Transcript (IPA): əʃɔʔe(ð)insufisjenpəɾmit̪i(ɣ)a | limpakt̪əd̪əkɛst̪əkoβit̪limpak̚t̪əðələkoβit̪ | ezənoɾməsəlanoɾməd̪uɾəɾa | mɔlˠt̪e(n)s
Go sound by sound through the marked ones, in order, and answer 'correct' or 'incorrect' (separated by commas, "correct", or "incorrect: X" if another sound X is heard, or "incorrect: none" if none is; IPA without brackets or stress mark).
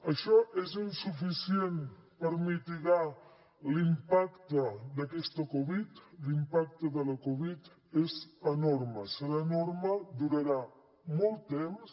incorrect: z, correct, incorrect: m